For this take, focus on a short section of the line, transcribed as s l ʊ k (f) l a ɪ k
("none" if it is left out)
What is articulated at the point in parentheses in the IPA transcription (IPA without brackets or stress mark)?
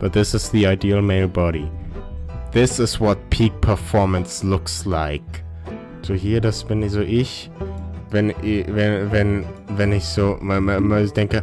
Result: s